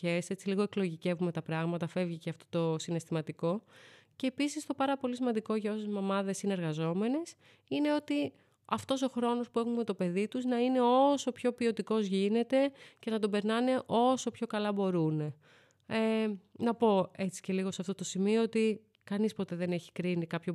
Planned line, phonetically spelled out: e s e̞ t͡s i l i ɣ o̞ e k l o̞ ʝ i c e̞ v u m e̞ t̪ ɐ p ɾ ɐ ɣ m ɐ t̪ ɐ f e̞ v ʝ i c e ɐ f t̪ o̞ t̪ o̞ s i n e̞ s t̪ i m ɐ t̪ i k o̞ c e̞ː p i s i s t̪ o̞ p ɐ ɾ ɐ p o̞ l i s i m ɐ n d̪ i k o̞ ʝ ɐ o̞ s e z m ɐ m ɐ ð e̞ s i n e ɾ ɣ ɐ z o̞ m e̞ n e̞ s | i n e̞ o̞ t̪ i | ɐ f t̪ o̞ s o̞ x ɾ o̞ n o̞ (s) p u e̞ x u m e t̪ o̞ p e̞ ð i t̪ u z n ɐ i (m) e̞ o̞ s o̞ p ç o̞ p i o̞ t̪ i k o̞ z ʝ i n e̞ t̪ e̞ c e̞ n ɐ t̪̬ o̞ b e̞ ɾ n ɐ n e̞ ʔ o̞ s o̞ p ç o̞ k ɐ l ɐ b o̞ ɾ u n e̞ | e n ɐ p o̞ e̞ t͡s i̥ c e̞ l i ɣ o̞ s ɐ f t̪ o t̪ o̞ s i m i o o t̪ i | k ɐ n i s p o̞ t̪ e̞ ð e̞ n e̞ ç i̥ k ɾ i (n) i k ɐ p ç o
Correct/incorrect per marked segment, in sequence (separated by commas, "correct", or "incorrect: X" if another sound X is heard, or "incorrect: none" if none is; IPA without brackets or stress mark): correct, incorrect: n, correct